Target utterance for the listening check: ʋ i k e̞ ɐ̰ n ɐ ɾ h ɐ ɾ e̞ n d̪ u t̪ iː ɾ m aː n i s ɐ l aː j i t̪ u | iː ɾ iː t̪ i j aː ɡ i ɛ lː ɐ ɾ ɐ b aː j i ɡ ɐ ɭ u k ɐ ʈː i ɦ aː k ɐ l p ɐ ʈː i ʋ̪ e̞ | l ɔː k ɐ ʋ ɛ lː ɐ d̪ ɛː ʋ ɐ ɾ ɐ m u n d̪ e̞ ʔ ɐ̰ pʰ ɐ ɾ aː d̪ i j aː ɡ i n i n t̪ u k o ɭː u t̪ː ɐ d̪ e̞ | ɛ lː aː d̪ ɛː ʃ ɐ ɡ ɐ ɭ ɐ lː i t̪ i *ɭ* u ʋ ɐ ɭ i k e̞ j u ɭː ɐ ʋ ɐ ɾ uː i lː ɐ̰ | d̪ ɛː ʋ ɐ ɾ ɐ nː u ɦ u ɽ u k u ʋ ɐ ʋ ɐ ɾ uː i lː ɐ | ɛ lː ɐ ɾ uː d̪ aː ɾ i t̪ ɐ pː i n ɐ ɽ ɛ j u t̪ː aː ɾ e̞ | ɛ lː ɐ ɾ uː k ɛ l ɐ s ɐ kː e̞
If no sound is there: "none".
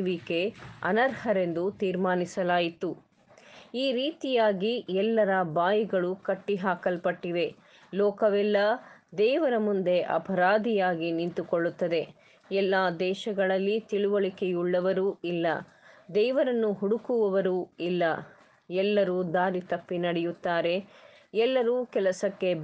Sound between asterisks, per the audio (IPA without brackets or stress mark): ɭ